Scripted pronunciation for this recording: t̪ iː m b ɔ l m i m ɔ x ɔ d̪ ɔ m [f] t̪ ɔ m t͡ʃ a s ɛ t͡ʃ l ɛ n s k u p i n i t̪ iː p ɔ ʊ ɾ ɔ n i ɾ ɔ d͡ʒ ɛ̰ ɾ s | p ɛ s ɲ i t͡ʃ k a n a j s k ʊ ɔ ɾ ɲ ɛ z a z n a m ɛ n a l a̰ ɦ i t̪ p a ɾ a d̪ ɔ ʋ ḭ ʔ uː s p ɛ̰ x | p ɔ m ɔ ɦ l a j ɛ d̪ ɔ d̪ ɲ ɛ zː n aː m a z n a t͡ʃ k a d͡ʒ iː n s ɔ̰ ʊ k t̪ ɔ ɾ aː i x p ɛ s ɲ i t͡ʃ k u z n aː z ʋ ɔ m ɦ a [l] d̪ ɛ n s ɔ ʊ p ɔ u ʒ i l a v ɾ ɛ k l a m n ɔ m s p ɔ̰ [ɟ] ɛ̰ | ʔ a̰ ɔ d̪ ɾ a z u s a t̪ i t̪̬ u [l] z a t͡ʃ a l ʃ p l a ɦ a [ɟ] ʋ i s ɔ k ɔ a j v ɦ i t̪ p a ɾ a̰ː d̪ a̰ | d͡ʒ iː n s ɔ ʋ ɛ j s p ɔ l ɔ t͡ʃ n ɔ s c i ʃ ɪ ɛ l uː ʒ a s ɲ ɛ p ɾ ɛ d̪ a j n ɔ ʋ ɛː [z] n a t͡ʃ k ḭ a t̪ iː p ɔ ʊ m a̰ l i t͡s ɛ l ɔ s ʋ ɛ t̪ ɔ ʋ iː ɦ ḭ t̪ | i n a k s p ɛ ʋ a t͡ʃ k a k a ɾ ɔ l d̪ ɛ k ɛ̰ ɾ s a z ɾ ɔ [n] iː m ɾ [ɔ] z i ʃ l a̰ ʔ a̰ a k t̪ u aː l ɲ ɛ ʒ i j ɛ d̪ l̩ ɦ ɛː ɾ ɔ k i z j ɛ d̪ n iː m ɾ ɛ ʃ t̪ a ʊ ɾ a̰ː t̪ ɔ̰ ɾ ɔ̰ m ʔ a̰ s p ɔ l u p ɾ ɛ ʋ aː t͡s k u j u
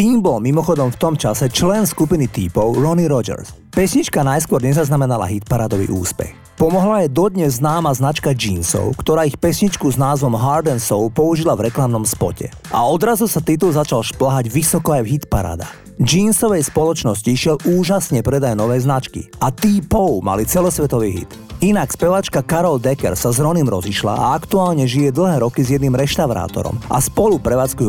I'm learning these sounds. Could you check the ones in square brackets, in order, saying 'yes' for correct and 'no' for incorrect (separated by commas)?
yes, no, no, yes, yes, yes, yes, yes